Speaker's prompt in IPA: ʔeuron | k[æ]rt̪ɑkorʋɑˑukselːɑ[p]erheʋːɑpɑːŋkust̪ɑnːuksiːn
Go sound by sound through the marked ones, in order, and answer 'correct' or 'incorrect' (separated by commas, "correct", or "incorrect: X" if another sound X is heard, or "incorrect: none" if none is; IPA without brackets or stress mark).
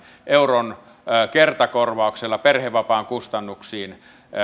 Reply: incorrect: e, correct